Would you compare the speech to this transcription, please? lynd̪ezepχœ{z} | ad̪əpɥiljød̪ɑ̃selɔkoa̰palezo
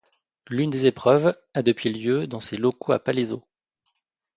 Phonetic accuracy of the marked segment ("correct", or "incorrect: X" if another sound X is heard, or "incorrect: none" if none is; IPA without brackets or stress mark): incorrect: v